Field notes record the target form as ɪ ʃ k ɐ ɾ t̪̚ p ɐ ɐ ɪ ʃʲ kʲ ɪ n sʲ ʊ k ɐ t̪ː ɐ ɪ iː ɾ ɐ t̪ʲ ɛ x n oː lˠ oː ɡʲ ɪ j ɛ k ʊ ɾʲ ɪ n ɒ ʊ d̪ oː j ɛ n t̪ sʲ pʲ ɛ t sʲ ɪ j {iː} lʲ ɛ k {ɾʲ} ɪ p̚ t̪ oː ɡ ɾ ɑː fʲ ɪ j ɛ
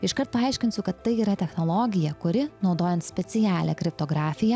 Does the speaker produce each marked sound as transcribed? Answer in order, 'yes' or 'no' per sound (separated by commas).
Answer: no, yes